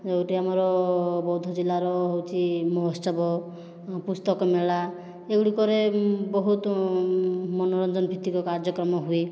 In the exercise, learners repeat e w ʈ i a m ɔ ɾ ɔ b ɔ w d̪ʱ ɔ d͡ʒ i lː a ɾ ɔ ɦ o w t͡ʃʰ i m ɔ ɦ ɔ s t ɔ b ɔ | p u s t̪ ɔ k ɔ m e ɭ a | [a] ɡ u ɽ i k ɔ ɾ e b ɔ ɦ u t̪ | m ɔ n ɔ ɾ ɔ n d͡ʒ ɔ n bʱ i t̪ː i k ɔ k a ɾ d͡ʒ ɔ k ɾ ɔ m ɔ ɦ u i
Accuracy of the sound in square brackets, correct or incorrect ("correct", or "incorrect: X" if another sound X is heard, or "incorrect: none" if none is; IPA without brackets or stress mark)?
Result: incorrect: e